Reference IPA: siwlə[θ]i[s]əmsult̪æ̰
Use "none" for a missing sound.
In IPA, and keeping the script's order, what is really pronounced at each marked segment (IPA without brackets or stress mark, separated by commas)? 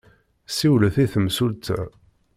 θ, θ